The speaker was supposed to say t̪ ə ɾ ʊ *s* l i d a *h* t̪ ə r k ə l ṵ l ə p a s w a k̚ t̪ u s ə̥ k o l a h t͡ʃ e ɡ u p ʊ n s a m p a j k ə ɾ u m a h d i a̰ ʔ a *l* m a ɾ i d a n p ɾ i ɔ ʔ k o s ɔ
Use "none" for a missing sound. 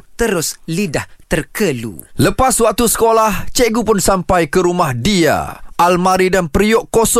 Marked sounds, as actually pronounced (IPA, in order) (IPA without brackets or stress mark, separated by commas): s, h, l